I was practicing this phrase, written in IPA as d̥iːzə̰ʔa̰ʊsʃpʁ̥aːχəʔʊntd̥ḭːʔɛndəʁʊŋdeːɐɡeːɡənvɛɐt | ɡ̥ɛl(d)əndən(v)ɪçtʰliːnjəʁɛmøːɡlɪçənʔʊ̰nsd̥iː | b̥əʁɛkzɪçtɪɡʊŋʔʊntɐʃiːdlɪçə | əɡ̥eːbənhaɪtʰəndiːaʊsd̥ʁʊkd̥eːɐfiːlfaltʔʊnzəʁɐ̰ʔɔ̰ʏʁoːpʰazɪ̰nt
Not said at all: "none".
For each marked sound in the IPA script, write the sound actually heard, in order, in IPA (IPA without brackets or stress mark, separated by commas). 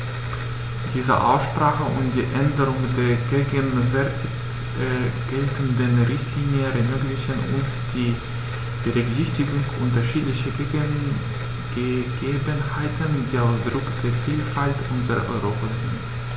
t, ʁ